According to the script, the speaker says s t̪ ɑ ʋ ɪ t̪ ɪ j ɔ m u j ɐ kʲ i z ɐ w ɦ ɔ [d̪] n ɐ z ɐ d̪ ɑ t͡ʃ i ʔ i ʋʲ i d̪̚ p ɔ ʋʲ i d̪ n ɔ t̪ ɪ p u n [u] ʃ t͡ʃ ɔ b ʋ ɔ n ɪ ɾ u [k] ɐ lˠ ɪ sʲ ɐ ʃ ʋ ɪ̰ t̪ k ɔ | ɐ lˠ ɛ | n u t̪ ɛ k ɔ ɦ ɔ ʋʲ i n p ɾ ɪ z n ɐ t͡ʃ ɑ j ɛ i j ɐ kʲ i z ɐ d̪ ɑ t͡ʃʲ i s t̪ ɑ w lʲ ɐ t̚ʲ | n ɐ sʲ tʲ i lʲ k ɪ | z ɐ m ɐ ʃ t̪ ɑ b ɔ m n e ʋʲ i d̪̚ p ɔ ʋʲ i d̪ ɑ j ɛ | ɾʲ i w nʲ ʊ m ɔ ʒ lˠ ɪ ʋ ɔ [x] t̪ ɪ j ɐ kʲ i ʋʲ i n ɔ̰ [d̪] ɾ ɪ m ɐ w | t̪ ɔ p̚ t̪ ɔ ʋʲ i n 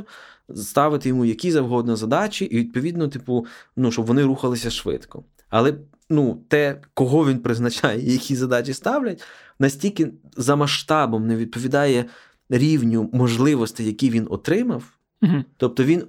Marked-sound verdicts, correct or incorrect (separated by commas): correct, correct, incorrect, incorrect, incorrect